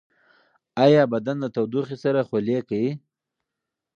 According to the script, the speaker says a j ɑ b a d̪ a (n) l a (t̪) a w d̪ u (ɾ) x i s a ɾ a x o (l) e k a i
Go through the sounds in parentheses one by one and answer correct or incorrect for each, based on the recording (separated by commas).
correct, correct, incorrect, correct